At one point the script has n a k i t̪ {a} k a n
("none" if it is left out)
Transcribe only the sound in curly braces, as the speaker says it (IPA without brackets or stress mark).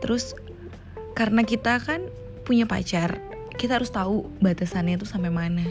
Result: a